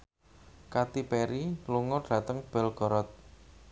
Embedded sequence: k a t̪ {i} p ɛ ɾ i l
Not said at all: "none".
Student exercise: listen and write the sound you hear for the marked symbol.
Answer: i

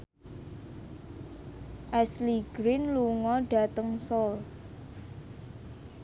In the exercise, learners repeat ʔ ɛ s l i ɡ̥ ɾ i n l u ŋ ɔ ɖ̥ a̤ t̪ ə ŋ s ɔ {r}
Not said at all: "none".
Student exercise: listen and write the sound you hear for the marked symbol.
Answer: l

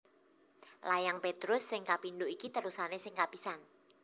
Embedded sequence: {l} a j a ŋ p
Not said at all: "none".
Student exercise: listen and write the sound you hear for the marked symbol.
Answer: l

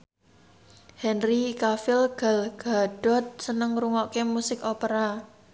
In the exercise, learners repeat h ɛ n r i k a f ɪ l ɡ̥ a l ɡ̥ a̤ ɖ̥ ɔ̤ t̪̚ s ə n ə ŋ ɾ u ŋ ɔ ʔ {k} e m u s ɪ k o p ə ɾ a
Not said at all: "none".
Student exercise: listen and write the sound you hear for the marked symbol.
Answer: k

